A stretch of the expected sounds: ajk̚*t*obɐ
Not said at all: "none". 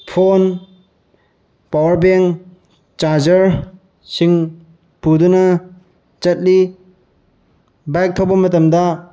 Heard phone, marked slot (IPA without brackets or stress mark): tʰ